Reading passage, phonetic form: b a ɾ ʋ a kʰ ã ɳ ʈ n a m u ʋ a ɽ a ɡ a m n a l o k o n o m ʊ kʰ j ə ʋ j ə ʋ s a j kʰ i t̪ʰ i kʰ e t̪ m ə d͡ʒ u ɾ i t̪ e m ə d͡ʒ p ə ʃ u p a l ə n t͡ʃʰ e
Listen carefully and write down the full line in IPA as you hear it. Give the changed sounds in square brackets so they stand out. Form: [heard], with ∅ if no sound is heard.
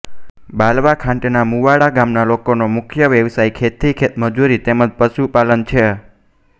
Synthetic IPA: b a [l] ʋ a kʰ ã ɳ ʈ n a m u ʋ a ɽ a ɡ a m n a l o k o n o m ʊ kʰ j ə ʋ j ə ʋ s a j kʰ [e] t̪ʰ i kʰ e t̪ m ə d͡ʒ u ɾ i t̪ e m ə d͡ʒ p ə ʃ u p a l ə n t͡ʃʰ e